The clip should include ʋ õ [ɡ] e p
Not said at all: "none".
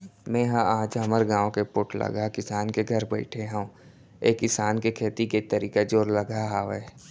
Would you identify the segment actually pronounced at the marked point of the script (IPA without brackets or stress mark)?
k